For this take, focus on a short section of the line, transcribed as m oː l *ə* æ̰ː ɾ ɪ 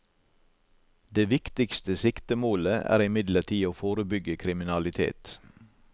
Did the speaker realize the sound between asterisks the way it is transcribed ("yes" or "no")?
yes